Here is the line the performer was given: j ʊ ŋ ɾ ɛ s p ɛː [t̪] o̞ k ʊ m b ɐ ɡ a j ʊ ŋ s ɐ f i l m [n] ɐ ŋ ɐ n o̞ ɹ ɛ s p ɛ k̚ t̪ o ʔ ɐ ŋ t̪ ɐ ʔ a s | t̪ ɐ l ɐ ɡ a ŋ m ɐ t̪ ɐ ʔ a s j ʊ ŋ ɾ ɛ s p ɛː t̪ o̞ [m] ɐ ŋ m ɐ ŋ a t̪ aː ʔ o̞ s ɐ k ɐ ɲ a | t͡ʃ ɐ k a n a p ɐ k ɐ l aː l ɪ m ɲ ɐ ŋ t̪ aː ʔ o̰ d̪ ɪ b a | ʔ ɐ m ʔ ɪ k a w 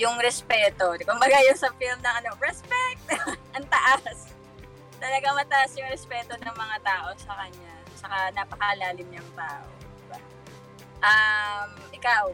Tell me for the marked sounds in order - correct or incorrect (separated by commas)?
correct, correct, incorrect